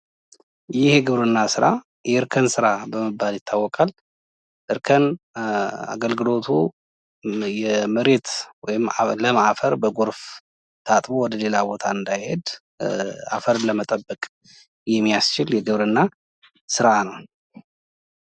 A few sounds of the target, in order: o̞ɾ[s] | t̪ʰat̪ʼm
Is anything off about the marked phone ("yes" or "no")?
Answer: yes